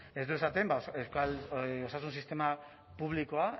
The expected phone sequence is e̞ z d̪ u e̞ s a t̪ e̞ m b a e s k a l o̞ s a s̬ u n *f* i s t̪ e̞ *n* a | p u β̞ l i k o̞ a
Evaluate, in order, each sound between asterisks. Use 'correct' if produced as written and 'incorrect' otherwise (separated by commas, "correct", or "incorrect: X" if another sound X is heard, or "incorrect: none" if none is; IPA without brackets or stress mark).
incorrect: s, incorrect: m